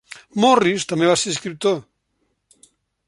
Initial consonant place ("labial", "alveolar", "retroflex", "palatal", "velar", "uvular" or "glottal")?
labial